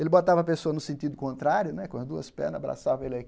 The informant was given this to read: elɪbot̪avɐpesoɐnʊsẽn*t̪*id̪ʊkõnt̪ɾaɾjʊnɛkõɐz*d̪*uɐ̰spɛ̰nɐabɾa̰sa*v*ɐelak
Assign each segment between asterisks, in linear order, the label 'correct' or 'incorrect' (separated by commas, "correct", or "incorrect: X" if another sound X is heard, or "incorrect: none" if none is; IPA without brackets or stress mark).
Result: correct, correct, correct